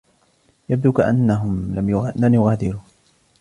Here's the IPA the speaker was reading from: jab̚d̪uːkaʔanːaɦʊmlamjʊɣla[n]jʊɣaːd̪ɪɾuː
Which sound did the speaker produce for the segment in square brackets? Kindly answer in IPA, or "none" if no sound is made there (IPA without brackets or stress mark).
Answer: m